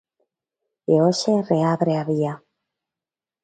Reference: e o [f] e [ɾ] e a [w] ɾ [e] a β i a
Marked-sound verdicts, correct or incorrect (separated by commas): incorrect, incorrect, incorrect, correct